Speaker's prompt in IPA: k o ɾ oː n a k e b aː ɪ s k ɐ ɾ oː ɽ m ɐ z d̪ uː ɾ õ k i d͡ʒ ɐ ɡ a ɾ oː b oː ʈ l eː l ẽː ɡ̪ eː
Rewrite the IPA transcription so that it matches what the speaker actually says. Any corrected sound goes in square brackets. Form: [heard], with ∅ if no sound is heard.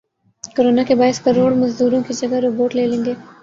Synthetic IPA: k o ɾ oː n a k e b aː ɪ s k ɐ ɾ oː ɽ m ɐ z d̪ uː ɾ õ k i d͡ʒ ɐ ɡ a ɾ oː b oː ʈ l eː l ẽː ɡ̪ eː